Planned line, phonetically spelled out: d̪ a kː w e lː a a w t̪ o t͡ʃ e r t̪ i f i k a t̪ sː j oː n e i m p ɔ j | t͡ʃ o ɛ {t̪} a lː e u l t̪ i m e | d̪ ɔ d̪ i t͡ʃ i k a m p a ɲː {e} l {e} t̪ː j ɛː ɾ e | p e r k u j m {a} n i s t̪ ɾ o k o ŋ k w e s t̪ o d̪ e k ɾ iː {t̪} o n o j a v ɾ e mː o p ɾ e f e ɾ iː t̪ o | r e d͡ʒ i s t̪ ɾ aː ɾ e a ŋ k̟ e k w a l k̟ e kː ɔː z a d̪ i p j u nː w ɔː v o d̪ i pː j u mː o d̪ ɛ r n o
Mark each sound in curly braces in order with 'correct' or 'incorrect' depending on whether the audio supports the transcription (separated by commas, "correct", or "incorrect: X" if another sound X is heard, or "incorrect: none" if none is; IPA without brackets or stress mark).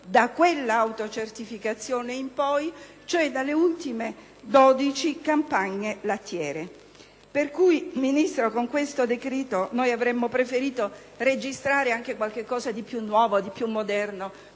incorrect: d̪, correct, incorrect: a, incorrect: i, correct